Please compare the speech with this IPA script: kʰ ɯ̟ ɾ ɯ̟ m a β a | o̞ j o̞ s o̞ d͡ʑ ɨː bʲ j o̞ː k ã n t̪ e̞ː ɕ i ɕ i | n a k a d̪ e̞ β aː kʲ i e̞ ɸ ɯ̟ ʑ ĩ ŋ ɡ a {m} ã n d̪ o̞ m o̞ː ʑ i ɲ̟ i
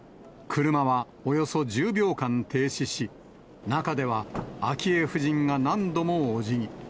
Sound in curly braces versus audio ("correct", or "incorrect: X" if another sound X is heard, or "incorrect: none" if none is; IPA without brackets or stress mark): incorrect: n